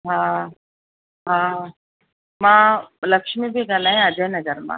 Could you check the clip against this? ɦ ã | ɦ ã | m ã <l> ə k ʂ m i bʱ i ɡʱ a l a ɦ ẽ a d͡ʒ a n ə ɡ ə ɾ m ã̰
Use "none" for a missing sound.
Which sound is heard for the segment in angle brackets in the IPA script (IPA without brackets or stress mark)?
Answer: l